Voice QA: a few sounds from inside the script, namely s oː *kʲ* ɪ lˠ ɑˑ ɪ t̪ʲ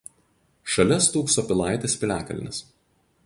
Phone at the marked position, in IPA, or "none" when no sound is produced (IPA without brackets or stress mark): pʲ